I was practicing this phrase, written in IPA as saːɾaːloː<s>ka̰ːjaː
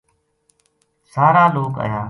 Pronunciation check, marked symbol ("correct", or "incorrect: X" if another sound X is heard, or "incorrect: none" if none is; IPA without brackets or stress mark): incorrect: none